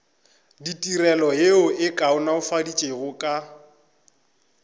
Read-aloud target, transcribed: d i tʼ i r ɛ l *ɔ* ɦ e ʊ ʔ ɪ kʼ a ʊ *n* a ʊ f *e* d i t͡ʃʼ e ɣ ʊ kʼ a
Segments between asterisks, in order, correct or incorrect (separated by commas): correct, correct, incorrect